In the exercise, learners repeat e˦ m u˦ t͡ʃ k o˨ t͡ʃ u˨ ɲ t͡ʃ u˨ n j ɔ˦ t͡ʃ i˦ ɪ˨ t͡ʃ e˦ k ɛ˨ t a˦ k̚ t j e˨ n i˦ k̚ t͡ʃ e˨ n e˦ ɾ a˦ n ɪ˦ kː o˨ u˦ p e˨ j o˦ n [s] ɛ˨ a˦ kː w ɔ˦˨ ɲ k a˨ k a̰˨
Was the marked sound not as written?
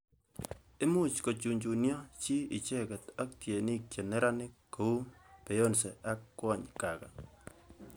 no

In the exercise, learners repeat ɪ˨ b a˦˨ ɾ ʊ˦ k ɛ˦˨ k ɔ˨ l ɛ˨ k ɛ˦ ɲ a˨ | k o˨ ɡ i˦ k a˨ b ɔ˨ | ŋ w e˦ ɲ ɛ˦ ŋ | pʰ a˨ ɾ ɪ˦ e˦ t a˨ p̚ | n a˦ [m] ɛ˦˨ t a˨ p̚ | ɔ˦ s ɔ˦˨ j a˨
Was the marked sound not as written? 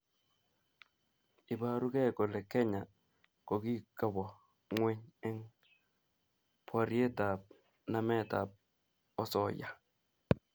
no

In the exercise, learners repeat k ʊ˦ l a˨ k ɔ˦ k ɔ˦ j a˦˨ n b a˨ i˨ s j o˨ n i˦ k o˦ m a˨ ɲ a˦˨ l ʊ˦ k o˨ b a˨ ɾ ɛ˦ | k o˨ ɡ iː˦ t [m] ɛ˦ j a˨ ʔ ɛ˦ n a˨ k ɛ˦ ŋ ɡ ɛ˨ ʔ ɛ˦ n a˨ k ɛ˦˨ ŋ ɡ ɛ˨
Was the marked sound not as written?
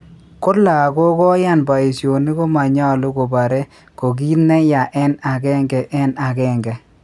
yes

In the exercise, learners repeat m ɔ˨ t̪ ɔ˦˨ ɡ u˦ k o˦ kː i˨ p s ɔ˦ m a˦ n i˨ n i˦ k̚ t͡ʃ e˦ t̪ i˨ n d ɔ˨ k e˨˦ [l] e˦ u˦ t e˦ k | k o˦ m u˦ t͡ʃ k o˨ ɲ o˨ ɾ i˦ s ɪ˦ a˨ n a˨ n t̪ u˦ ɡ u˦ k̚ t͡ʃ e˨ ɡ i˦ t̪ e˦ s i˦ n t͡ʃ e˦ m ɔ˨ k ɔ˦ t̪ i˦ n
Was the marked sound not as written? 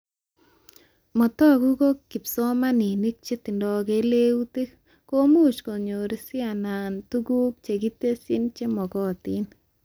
no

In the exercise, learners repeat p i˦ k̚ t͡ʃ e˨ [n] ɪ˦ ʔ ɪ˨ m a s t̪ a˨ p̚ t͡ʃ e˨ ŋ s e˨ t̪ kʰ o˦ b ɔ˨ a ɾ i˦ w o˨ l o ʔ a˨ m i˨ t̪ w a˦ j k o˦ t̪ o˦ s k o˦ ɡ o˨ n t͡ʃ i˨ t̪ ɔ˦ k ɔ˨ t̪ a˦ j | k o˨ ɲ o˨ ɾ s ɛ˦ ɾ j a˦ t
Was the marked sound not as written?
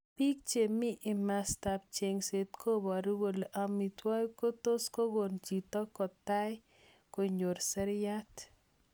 yes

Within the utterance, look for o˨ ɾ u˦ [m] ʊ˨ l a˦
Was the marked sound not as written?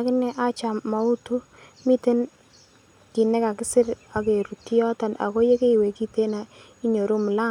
no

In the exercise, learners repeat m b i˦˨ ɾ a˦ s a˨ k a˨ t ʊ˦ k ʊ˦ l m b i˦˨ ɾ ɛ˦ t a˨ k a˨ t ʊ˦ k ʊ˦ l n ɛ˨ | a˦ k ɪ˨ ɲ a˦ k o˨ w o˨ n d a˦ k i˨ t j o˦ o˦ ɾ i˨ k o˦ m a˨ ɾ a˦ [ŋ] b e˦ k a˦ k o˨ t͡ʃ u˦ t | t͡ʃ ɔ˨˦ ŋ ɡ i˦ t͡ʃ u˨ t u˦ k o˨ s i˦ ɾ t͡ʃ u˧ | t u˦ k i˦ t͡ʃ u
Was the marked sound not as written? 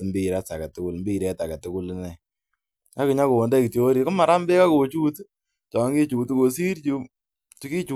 yes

